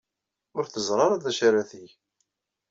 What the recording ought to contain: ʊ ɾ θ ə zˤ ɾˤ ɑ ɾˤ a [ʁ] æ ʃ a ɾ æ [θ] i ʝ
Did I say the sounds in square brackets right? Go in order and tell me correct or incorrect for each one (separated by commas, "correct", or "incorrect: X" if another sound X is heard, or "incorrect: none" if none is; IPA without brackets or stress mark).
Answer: incorrect: ð, correct